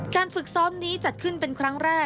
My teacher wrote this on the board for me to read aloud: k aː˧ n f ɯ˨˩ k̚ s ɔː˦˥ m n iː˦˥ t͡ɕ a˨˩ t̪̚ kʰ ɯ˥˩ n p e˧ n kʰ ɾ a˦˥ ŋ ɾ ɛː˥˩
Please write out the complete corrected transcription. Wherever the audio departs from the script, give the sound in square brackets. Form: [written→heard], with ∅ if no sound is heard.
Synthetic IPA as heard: k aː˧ n f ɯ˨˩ k̚ s ɔː˦˥ m n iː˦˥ t͡ɕ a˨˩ t̪̚ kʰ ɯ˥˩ n p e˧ n kʰ ɾ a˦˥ ŋ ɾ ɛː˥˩